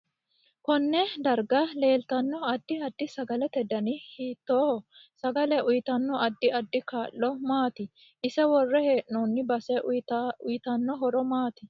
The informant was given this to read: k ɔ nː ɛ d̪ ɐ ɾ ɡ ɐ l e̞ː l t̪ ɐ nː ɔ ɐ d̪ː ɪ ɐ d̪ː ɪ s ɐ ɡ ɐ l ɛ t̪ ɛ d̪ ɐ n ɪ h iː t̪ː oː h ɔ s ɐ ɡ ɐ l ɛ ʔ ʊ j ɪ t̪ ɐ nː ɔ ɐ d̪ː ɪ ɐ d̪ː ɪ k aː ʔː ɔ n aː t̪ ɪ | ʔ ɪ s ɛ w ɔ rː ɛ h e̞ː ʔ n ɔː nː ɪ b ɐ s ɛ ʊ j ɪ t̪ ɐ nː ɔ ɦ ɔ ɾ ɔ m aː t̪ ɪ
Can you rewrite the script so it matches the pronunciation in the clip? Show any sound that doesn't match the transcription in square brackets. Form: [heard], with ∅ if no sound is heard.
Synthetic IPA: k ɔ nː ɛ d̪ ɐ ɾ ɡ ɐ l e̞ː l t̪ ɐ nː ɔ ɐ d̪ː ɪ ɐ d̪ː ɪ s ɐ ɡ ɐ l ɛ t̪ ɛ d̪ ɐ n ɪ h iː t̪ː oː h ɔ s ɐ ɡ ɐ l ɛ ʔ ʊ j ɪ t̪ ɐ nː ɔ ɐ d̪ː ɪ ɐ d̪ː ɪ k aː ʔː ɔ [m] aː t̪ ɪ | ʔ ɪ s ɛ w ɔ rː ɛ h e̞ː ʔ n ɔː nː ɪ b ɐ s ɛ ʊ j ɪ t̪ ɐ nː ɔ ɦ ɔ ɾ ɔ m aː t̪ ɪ